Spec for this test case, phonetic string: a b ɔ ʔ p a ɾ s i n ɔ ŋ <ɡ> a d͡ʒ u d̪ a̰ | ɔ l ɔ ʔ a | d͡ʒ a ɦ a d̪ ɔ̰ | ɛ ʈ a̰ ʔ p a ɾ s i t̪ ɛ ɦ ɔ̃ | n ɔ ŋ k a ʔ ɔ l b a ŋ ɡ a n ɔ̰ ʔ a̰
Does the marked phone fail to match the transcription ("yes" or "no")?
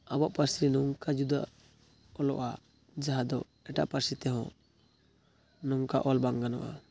yes